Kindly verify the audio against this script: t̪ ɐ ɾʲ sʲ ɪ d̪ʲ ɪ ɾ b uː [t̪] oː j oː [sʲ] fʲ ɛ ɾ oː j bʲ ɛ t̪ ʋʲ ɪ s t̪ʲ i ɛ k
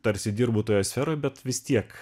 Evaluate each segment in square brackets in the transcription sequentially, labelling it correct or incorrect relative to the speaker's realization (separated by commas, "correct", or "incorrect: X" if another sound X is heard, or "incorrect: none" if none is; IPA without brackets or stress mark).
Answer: correct, correct